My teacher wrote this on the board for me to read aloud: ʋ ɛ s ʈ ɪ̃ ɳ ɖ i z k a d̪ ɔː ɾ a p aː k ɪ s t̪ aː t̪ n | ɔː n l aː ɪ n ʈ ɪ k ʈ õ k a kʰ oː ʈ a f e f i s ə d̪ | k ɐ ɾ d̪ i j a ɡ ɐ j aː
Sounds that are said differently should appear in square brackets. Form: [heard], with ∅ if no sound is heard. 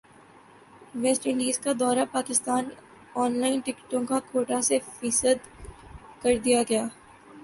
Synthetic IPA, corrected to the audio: ʋ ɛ s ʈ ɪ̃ ɳ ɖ [iː] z k a d̪ ɔː ɾ a p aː k ɪ s t̪ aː [∅] n | ɔː n l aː ɪ n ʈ ɪ k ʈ õ k a kʰ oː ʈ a [s] e f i s ə d̪ | k ɐ ɾ d̪ i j a ɡ ɐ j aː